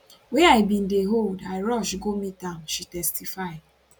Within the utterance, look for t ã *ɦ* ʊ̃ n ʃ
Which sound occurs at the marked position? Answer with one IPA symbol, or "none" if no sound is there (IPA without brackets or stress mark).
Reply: none